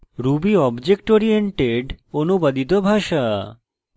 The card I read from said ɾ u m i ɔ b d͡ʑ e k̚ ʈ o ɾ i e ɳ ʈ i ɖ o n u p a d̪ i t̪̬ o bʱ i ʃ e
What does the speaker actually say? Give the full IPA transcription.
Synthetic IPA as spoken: ɾ u b i ɔ b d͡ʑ e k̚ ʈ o ɾ i e ɳ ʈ e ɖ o n u b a d̪ i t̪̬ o bʱ a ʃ a